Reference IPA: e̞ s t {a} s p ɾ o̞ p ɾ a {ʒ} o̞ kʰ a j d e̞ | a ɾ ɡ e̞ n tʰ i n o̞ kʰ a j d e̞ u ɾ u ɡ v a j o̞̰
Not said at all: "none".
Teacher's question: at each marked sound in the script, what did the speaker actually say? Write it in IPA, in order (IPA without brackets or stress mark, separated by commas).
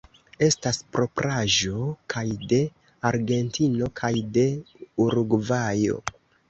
a, ʒ